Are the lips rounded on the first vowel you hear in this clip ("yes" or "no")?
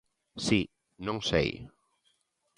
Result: no